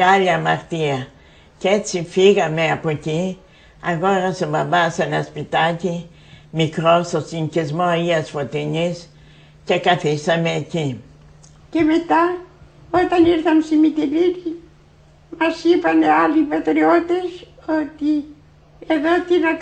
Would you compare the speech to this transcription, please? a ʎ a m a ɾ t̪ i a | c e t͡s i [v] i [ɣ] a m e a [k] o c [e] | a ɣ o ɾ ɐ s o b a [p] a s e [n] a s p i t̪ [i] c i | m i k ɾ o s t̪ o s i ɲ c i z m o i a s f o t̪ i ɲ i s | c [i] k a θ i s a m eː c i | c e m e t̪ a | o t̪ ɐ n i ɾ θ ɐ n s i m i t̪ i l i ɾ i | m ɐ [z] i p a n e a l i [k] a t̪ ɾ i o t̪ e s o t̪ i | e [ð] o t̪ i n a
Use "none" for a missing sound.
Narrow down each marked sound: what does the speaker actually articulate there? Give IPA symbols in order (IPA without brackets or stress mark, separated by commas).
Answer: f, ɣ, p, i, b, n, a, e, s, p, ð